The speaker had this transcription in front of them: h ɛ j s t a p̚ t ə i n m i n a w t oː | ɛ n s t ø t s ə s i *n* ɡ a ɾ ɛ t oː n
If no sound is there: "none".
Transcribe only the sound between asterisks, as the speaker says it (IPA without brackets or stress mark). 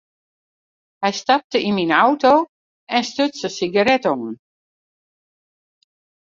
none